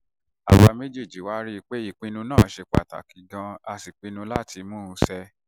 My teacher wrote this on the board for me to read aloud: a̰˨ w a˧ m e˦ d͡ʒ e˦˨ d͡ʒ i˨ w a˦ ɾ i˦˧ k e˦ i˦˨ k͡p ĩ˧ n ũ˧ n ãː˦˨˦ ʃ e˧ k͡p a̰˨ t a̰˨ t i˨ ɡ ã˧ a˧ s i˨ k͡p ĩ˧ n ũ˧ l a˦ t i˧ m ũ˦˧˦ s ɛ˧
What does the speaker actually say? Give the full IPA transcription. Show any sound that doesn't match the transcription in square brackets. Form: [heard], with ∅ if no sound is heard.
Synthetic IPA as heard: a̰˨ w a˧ m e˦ d͡ʒ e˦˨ d͡ʒ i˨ w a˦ ɾ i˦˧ [k͡p] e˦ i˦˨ k͡p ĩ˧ n ũ˧ n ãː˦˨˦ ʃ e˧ k͡p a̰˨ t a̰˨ [k] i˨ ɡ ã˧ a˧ s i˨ k͡p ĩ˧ n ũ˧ l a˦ t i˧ m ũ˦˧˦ s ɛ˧